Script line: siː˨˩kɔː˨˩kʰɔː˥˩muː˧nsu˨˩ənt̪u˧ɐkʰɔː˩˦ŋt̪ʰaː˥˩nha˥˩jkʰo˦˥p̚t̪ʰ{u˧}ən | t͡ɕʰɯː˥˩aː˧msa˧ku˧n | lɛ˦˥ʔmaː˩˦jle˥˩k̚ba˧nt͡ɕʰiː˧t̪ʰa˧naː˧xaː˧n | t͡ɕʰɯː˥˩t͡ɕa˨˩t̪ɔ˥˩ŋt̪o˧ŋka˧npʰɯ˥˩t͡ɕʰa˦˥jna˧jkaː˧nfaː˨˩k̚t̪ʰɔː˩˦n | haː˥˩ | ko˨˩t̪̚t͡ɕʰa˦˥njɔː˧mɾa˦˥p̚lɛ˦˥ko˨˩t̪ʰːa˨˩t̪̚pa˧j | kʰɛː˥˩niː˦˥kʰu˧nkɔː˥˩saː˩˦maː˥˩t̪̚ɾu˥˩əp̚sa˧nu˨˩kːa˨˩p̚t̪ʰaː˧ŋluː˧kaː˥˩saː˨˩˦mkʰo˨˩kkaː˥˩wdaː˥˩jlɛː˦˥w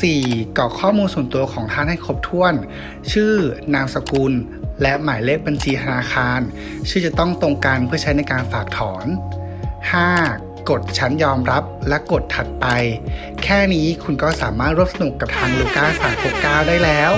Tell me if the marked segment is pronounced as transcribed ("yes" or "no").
no